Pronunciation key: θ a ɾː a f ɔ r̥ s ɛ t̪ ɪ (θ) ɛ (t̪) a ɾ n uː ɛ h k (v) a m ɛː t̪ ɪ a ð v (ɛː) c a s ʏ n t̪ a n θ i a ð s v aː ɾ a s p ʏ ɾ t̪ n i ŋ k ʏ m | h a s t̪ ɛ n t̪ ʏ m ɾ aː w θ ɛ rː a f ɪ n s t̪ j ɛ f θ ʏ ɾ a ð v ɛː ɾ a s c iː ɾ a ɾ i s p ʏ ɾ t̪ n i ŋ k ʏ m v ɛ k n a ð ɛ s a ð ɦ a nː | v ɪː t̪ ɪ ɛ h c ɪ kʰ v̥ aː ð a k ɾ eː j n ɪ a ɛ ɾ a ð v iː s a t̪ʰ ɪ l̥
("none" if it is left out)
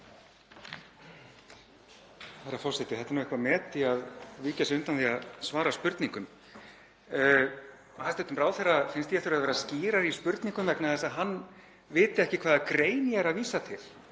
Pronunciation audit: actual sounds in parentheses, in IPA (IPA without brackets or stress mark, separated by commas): θ, t̪, v, iː